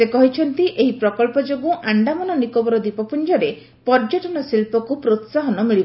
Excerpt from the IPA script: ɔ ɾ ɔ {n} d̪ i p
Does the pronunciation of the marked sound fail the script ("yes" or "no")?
yes